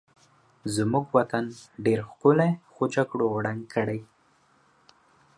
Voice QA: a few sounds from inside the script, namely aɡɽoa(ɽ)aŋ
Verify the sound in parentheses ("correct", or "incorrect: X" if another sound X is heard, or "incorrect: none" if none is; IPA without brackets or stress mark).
correct